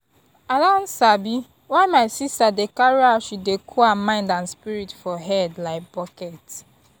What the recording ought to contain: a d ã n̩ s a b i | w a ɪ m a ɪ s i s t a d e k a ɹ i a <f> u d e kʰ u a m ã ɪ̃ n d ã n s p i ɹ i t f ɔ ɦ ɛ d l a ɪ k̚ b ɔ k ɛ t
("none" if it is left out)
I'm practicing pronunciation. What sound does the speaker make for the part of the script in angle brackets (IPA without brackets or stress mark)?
ʃ